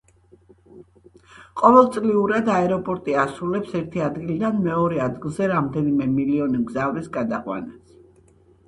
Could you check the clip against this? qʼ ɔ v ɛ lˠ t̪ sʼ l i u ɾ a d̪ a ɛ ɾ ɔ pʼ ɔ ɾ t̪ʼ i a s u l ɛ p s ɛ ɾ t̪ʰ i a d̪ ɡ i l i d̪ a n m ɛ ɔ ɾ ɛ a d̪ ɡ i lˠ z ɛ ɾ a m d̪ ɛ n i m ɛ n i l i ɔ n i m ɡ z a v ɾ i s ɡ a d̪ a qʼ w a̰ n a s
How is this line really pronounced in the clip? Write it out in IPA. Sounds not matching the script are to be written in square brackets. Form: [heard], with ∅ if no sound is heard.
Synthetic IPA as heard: qʼ ɔ v ɛ lˠ t̪ sʼ l i u ɾ a d̪ a ɛ ɾ ɔ pʼ ɔ ɾ t̪ʼ i a s u l ɛ p s ɛ ɾ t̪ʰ i a d̪ ɡ i l i d̪ a n m ɛ ɔ ɾ ɛ a d̪ ɡ i lˠ z ɛ ɾ a m d̪ ɛ n i m ɛ [m] i l i ɔ n i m ɡ z a v ɾ i s ɡ a d̪ a qʼ w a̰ n a s